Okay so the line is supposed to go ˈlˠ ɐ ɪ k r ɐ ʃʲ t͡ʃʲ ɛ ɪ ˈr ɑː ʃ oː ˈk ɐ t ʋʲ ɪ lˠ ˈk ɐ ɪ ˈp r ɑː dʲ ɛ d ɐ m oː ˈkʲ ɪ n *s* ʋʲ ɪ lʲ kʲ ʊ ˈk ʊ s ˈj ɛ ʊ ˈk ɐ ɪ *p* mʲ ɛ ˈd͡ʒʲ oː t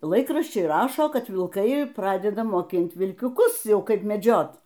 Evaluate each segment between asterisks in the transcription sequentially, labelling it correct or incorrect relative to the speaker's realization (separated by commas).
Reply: incorrect, correct